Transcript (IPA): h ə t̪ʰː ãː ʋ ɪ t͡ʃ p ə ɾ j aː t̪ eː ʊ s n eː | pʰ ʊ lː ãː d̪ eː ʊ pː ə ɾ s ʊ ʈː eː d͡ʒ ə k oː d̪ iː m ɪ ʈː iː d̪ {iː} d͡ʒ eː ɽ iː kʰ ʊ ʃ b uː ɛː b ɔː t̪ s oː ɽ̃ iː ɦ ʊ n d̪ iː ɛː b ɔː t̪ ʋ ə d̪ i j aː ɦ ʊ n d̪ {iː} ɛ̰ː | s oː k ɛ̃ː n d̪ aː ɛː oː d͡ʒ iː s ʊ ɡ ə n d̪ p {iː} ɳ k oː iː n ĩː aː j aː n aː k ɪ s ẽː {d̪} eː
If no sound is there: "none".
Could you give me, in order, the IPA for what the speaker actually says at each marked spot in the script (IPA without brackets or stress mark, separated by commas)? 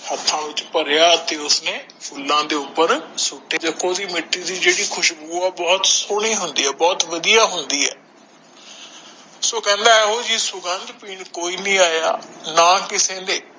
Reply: iː, iː, iː, d̪